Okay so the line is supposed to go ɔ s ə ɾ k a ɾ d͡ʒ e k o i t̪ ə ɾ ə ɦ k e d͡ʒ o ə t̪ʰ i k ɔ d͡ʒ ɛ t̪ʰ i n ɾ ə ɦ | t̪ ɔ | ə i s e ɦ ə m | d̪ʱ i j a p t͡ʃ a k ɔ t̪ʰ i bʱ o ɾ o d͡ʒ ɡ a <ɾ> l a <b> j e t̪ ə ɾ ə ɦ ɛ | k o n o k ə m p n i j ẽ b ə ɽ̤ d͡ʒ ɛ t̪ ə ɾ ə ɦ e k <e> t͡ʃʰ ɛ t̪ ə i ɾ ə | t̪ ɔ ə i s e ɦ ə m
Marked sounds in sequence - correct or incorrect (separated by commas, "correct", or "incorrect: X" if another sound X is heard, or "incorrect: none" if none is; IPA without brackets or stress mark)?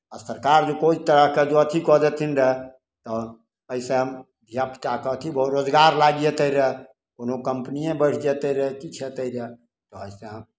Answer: correct, incorrect: ɡ, incorrect: i